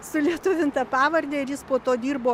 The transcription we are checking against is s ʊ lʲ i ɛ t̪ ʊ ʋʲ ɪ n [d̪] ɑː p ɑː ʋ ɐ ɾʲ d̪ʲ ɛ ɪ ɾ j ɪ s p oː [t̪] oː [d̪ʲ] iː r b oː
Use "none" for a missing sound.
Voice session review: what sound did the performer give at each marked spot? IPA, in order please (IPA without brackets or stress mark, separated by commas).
t̪, t̪, d̪ʲ